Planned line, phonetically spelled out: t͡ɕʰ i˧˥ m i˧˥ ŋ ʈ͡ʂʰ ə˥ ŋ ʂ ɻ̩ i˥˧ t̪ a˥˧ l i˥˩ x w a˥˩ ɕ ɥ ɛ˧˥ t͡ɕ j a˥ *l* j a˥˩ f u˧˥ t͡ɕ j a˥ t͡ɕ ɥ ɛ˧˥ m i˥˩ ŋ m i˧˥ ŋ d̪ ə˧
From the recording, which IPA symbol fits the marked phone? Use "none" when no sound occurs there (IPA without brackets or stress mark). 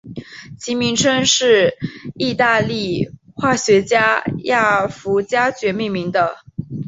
none